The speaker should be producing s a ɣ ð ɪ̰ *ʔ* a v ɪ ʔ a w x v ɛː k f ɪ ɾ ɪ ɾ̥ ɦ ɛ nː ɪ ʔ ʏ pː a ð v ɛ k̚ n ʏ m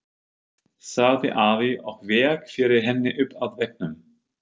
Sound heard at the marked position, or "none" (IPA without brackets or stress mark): ʔ